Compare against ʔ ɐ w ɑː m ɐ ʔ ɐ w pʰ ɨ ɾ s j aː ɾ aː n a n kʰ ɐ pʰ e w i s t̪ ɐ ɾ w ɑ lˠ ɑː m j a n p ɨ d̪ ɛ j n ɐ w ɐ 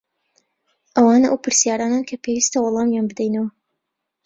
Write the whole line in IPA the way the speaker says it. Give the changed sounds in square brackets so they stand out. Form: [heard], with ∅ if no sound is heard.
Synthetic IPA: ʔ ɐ w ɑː [n] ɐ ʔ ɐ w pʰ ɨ ɾ s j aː ɾ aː n a n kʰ ɐ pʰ e w i s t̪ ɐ [∅] w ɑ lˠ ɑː m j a n [b] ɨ d̪ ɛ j n ɐ w ɐ